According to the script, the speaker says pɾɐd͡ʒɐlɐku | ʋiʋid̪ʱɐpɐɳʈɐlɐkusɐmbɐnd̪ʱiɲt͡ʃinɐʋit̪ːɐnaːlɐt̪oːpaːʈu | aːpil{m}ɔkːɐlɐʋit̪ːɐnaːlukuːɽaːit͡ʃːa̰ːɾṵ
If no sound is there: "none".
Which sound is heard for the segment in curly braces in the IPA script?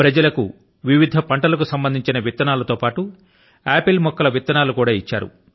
m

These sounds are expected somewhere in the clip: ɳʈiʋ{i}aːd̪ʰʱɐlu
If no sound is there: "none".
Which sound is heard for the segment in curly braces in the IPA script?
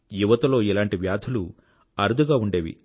j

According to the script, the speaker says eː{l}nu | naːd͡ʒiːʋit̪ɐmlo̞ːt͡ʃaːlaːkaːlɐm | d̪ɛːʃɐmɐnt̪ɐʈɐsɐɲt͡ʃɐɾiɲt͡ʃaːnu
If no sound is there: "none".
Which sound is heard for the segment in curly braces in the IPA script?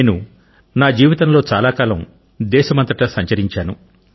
none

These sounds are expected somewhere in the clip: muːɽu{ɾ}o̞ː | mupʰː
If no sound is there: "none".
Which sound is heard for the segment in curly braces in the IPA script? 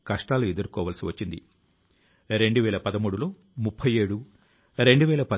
l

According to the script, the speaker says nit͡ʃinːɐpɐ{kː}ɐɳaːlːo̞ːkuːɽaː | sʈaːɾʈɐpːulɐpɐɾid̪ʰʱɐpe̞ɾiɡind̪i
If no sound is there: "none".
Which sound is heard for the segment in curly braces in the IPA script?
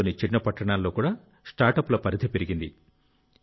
ʈː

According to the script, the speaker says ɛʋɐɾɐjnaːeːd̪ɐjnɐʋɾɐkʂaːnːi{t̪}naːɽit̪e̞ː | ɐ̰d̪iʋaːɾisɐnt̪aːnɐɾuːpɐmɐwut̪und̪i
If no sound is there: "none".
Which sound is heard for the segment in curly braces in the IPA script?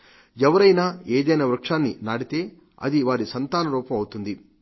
none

